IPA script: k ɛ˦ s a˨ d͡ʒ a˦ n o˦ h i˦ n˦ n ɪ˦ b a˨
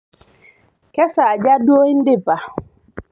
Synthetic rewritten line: k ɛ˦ s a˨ d͡ʒ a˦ d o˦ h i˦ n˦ d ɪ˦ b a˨